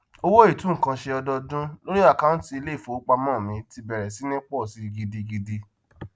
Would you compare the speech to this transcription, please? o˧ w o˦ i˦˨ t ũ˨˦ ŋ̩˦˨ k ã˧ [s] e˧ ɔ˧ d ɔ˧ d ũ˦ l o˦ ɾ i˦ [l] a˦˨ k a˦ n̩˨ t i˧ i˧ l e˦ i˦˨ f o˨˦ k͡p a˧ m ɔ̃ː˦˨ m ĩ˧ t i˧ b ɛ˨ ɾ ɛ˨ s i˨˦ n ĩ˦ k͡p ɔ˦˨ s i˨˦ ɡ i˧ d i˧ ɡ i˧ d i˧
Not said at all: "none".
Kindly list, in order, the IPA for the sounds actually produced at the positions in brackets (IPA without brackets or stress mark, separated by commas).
ʃ, none